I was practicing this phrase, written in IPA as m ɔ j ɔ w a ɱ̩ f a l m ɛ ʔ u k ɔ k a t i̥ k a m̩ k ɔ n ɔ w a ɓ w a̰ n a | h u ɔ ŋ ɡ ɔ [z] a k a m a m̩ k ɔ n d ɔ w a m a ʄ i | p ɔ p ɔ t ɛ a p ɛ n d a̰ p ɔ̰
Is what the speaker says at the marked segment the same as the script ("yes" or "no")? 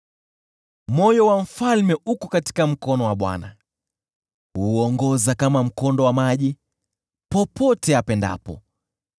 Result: yes